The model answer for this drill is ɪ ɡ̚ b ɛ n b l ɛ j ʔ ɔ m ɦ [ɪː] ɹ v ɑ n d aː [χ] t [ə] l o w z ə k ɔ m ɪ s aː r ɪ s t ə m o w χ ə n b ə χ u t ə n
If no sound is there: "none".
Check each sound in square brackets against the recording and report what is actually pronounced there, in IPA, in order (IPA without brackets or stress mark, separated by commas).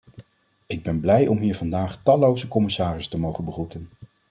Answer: iː, χ, ɑ